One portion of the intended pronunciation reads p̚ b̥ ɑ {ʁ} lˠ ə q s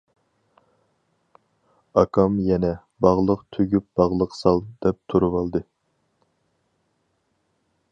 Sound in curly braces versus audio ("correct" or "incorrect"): correct